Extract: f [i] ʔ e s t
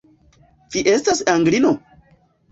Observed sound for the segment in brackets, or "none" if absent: i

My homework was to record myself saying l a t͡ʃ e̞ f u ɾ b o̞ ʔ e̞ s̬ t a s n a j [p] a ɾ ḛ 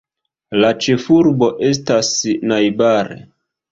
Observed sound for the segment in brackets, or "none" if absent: b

